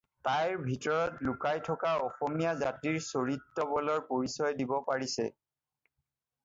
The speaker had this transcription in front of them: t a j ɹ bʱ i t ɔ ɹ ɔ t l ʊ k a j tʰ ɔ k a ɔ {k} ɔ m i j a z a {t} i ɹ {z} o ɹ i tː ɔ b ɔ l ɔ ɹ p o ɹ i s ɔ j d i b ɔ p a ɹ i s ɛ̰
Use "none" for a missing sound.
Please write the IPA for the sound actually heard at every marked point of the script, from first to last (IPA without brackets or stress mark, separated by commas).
x, t, s